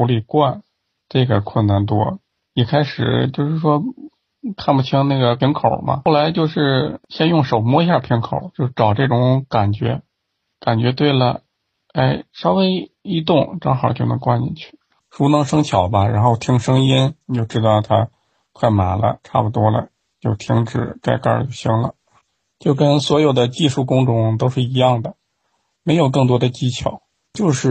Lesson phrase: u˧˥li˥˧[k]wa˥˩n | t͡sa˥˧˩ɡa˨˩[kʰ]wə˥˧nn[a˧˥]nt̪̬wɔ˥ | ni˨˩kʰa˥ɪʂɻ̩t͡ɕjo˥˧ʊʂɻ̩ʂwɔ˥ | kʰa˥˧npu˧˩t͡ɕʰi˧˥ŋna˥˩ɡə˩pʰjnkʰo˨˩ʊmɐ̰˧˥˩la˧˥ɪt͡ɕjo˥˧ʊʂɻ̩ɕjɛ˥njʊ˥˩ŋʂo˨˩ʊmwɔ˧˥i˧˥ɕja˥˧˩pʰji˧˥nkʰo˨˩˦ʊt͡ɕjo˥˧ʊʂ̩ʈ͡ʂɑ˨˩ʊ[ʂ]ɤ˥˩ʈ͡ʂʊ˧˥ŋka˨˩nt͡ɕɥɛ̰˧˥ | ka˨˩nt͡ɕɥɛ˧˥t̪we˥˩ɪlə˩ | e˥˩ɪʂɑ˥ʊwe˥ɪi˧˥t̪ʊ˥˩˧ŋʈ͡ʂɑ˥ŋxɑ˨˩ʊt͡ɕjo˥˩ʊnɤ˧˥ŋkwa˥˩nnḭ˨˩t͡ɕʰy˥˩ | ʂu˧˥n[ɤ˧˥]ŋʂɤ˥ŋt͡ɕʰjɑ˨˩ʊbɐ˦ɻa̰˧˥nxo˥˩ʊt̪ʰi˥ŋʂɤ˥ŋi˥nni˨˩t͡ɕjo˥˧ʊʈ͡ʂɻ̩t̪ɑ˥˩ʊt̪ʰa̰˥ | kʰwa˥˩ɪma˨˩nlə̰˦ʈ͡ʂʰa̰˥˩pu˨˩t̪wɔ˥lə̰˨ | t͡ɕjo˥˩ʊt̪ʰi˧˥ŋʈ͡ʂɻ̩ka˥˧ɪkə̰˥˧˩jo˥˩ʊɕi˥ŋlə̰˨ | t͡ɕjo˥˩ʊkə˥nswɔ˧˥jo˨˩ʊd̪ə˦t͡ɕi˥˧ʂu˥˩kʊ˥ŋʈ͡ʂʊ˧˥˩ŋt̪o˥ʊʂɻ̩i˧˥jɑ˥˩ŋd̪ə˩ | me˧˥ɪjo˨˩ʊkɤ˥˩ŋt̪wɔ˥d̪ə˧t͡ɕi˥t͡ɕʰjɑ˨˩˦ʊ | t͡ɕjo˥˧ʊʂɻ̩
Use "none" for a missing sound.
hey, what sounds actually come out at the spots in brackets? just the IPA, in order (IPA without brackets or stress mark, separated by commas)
k, kʰ, a˥˩, ʈ͡ʂ, ɤ˧˥